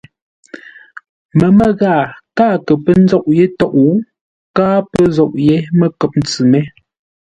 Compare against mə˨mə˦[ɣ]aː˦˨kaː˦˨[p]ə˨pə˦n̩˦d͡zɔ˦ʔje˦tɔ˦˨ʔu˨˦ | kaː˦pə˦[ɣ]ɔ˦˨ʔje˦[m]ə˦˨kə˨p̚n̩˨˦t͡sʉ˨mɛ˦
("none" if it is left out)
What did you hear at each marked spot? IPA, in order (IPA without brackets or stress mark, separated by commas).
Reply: ɣ, k, z, m